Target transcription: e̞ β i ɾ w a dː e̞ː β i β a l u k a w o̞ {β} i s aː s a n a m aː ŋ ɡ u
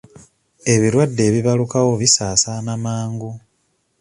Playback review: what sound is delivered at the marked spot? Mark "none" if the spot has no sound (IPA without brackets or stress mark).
β